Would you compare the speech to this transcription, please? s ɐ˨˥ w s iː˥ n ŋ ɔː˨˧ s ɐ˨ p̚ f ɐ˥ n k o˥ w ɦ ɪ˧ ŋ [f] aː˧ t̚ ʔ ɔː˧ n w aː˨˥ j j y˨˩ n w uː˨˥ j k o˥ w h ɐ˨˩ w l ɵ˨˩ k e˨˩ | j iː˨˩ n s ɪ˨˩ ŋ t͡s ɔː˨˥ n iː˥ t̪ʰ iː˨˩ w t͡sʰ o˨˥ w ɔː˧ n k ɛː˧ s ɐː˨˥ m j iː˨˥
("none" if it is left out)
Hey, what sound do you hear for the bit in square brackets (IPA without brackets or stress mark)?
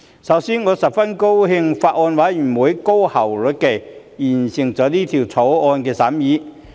f